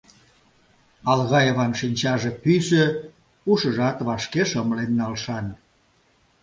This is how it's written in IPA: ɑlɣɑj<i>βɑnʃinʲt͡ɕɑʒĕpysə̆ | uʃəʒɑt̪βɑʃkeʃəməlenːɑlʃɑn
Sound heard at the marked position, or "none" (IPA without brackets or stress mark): e